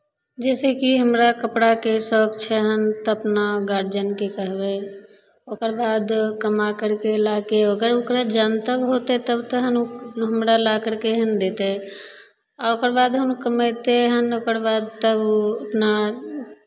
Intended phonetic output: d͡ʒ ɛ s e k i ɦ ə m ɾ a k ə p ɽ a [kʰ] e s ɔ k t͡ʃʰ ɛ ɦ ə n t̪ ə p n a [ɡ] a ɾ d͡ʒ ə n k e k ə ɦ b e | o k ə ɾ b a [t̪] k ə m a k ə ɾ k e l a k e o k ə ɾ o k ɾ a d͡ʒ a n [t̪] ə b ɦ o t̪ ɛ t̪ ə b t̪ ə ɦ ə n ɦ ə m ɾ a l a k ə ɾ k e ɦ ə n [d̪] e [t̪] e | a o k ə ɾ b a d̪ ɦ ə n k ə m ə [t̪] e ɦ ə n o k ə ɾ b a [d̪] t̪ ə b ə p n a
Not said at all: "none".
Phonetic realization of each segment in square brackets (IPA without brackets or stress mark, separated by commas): k, ɡ, d̪, t̪, d̪, t̪, t̪, d̪